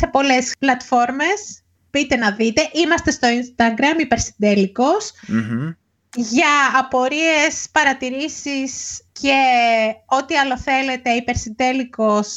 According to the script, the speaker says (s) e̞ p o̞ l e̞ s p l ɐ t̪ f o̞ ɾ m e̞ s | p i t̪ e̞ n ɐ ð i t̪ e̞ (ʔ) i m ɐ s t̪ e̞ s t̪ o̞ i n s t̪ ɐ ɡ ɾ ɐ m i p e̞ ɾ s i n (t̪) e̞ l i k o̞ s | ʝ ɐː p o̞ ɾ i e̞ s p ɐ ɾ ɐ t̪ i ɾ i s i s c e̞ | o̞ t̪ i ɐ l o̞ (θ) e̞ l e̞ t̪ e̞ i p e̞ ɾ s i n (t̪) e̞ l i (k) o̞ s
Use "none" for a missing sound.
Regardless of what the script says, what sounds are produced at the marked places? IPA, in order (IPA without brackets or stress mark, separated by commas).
s, ʔ, d̪, θ, d̪, k